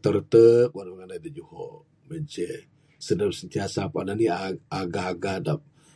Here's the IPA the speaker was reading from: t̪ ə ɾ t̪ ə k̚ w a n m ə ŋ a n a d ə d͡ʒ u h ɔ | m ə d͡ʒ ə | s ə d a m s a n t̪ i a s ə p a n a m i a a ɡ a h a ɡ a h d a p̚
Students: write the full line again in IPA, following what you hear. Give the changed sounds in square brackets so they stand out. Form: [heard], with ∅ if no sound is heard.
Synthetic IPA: t̪ ə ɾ t̪ ə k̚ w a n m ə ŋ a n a d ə d͡ʒ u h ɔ | m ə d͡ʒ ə | s ə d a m s [ə] n t̪ i a s [a] p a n a [n] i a a ɡ a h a ɡ a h d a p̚